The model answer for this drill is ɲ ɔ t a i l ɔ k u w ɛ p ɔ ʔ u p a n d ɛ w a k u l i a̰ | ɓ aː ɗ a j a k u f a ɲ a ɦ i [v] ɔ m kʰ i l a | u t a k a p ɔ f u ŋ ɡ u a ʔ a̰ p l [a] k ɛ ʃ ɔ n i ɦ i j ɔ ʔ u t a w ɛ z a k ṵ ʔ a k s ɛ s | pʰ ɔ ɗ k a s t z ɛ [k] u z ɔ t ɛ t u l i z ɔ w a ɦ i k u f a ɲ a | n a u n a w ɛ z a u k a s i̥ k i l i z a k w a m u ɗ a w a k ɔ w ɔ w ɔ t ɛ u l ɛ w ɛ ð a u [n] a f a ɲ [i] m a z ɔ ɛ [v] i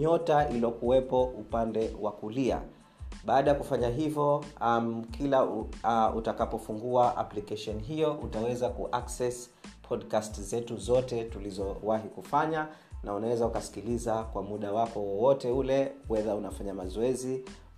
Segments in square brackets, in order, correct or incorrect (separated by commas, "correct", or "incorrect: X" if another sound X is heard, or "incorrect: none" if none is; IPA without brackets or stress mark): correct, incorrect: i, incorrect: t, correct, incorrect: a, incorrect: z